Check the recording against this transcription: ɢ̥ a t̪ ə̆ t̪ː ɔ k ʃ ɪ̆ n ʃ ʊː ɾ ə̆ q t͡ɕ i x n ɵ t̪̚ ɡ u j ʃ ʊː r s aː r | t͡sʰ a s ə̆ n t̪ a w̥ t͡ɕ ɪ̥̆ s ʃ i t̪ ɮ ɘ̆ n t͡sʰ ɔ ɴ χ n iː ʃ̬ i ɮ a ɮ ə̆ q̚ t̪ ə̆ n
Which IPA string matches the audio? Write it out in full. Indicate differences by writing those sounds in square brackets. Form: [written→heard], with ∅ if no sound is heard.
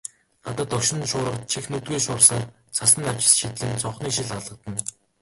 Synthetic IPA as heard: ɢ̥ a t̪ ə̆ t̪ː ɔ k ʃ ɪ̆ n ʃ ʊː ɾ ə̆ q [t͡ɕ→t͡ɕʰ] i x n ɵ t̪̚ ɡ u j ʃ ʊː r s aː r | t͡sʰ a s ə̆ n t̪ a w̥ t͡ɕ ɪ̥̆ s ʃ i t̪ ɮ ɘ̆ n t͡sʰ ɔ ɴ χ n iː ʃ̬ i ɮ a ɮ ə̆ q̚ t̪ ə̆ n